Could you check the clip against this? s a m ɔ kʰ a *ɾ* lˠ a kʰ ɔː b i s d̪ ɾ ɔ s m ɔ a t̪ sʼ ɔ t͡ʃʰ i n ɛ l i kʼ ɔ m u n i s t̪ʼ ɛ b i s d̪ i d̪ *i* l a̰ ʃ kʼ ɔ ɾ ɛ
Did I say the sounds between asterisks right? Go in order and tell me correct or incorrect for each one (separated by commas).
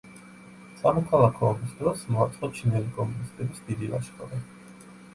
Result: incorrect, correct